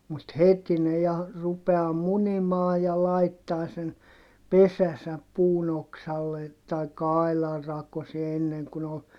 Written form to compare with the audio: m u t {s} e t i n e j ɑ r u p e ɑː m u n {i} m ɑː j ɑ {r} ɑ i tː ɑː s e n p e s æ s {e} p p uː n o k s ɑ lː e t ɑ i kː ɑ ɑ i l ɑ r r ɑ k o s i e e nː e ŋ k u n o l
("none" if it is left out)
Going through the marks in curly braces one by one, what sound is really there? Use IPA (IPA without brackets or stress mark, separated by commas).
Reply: h, i, l, æ